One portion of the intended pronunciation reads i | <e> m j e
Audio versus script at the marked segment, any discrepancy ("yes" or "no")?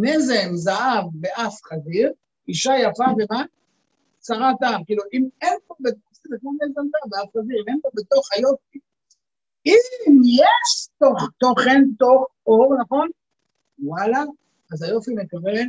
yes